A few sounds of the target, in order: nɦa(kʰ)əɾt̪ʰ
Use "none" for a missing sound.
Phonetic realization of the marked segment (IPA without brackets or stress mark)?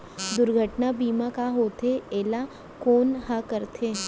k